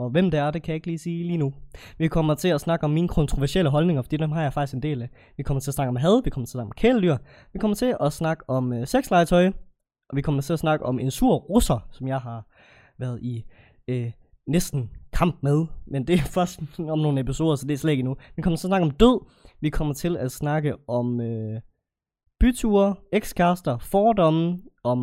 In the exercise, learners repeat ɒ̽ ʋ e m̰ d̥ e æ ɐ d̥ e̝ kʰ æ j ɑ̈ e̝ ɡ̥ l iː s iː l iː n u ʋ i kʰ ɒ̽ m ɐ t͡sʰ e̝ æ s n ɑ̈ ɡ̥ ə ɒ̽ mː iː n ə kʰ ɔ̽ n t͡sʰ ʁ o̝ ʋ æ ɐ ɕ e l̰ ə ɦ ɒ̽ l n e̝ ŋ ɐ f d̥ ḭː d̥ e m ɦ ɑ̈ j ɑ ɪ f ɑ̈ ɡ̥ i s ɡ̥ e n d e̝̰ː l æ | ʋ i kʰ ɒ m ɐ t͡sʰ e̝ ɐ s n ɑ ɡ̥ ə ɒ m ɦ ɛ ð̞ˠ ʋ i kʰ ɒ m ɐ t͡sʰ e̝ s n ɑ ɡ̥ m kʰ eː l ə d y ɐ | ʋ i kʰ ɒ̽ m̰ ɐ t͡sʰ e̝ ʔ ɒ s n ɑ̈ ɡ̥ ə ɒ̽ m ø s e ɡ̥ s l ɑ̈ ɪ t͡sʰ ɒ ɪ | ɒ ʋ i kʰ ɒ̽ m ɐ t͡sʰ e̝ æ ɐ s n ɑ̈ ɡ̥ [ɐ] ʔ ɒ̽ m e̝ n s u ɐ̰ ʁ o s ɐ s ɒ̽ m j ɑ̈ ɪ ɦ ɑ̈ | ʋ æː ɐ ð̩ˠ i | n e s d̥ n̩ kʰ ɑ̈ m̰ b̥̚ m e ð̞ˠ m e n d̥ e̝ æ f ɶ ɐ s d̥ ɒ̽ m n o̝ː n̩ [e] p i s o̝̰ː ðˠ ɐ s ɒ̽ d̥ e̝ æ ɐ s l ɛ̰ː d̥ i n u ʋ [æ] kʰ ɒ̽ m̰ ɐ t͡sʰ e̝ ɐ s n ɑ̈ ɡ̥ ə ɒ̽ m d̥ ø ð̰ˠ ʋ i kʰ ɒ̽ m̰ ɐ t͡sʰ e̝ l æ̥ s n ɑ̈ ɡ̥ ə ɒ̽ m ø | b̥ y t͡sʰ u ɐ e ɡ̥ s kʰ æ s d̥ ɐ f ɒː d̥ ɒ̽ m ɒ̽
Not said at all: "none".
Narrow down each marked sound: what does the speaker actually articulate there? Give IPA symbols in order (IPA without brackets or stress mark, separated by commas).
ə, e, i